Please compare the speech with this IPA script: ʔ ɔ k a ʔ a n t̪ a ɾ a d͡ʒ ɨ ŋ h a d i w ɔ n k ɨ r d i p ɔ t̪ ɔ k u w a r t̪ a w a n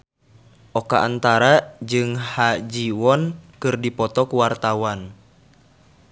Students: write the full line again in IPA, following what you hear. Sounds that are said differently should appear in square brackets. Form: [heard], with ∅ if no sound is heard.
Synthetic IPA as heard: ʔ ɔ k a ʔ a n t̪ a ɾ a d͡ʒ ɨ ŋ h a [d͡ʒ] i w ɔ n k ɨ r d i p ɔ t̪ ɔ k u w a r t̪ a w a n